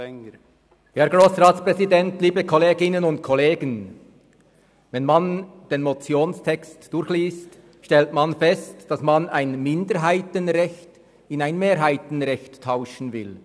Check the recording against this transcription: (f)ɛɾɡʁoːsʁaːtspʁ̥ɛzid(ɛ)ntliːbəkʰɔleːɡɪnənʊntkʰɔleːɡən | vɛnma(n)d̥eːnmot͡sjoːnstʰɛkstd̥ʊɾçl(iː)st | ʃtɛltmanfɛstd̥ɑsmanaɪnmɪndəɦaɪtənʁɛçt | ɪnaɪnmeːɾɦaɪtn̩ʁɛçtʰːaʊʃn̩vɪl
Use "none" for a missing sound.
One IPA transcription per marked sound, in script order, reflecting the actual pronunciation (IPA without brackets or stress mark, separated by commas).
h, ɛ, n, iː